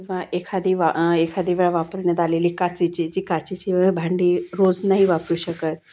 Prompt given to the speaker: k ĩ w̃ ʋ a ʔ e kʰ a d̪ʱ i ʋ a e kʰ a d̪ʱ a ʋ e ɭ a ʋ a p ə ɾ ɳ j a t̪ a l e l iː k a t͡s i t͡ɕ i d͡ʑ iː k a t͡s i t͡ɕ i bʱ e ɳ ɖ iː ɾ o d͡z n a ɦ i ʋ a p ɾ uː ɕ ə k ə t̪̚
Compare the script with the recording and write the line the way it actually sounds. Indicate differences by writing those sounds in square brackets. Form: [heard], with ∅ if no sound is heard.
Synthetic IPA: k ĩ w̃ ʋ a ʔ e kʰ a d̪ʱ i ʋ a e kʰ a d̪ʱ [i] ʋ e ɭ a ʋ a p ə ɾ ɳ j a t̪ a l e l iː k a t͡s i t͡ɕ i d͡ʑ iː k a t͡s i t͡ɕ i bʱ [a] ɳ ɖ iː ɾ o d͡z n a ɦ i ʋ a p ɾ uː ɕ ə k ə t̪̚